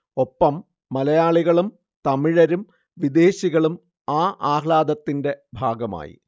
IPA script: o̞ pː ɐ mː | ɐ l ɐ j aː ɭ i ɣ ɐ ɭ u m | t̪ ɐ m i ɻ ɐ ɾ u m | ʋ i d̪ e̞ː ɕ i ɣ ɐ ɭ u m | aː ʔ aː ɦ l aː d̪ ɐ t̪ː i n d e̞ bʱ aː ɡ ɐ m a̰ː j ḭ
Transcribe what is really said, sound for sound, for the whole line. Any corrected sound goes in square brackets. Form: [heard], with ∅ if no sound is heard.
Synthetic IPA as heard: o̞ pː ɐ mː | ɐ l ɐ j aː ɭ i ɣ ɐ ɭ u m | t̪ ɐ m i ɻ ɐ ɾ u m | ʋ i d̪ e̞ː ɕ i ɣ ɐ ɭ u m | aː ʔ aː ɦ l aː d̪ ɐ t̪ː i n d e̞ bʱ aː ɡ ɐ m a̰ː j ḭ